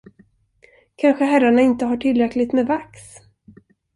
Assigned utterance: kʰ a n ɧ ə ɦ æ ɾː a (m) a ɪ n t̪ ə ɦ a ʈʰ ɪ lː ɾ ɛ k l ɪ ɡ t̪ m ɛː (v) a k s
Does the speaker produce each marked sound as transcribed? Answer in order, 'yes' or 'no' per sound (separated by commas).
no, yes